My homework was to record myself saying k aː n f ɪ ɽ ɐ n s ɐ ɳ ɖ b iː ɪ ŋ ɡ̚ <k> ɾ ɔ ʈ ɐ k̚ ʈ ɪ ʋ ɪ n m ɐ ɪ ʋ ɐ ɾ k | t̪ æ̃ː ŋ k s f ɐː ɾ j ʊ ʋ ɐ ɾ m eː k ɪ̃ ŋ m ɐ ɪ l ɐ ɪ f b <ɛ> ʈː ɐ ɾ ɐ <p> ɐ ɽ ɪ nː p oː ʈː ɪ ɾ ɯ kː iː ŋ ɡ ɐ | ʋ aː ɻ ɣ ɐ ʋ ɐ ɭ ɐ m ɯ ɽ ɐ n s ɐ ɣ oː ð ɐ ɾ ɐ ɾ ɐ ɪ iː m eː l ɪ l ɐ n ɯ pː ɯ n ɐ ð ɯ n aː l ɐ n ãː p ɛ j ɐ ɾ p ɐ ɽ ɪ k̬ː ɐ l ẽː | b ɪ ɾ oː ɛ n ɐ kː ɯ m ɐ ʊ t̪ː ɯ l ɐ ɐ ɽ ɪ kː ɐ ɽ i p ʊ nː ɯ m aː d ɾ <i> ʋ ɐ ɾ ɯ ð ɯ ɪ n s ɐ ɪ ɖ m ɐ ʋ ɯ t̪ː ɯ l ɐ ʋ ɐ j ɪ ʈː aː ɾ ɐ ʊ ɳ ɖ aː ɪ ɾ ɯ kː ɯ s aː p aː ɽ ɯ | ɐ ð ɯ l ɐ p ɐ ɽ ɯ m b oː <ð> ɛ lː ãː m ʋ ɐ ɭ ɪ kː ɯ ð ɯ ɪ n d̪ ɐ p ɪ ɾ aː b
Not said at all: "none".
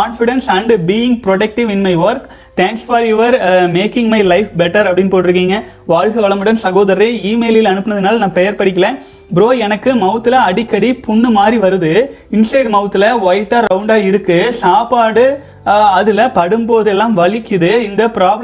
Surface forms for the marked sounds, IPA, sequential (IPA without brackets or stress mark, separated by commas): p, ɛ, p, i, ð